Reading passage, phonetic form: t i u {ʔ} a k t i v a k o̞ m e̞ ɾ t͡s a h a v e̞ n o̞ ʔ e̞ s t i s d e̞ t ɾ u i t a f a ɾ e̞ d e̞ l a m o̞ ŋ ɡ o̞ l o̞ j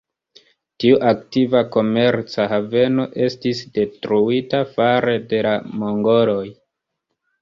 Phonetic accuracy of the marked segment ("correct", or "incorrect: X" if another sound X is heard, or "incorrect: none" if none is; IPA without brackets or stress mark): correct